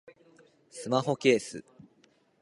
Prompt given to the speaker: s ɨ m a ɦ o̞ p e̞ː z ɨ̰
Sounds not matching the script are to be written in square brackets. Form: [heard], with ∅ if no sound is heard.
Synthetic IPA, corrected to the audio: s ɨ m a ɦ o̞ [k] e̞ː [s] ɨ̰